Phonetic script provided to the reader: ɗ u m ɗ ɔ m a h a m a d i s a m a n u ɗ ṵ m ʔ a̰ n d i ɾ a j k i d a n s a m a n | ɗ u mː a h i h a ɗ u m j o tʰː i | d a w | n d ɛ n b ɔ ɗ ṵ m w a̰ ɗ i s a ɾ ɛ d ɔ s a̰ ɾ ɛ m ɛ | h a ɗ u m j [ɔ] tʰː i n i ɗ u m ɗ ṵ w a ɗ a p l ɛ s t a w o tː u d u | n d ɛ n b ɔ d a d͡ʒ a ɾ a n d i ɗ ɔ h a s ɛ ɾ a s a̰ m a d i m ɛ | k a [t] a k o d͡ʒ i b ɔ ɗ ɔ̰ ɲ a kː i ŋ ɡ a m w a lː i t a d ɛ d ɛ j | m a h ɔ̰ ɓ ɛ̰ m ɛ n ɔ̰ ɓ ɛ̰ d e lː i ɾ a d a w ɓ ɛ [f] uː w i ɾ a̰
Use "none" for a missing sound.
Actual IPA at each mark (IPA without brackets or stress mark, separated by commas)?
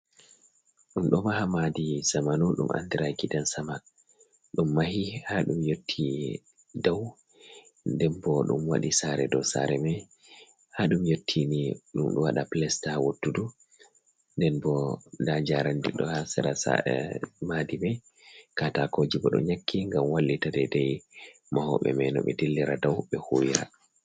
o, t, h